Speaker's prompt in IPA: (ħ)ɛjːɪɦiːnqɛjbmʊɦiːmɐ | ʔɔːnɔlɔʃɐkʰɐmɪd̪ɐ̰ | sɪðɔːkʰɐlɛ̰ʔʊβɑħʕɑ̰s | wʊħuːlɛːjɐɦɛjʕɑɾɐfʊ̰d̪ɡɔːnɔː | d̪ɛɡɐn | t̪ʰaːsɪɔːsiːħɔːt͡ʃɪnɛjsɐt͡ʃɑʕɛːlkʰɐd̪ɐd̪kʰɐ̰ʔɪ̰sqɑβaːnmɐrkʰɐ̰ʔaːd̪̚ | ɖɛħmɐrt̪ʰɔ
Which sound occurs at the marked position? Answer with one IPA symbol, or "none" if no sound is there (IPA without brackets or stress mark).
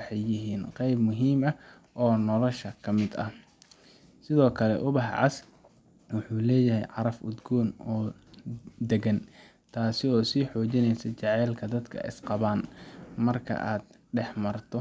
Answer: ħ